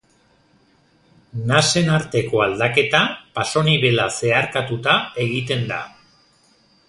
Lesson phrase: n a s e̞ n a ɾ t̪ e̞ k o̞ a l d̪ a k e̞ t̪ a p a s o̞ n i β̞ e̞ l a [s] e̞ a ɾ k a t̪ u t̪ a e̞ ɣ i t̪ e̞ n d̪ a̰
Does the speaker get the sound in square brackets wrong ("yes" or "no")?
no